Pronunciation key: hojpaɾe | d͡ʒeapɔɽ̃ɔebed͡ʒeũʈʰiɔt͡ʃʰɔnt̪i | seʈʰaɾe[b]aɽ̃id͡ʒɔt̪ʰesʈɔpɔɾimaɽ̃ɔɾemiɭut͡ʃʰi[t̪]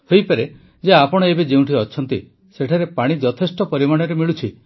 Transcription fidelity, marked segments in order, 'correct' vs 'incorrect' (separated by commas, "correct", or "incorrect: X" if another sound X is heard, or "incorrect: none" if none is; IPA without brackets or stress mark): incorrect: p, incorrect: none